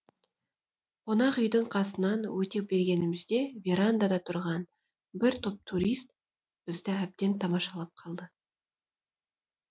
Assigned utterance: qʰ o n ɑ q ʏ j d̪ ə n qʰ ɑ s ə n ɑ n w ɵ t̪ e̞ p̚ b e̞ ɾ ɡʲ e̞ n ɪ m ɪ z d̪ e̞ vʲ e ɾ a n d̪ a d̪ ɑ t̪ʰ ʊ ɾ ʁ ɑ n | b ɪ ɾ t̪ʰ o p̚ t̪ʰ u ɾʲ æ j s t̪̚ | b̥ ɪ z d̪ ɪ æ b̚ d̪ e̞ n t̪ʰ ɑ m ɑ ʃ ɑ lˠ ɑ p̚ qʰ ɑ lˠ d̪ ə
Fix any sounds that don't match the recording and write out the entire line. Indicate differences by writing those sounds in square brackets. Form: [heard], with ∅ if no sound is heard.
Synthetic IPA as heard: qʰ o n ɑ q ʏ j d̪ ə [ɴ] qʰ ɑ s ə n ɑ n w ɵ t̪ e̞ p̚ b e̞ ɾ ɡʲ e̞ n ɪ m ɪ z d̪ e̞ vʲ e ɾ a n d̪ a d̪ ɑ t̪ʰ ʊ ɾ ʁ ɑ n | b ɪ ɾ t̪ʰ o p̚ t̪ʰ u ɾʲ [i] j s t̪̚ | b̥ ɪ z d̪ ɪ æ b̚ d̪ e̞ n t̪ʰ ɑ m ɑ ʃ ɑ lˠ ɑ p̚ qʰ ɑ lˠ d̪ ə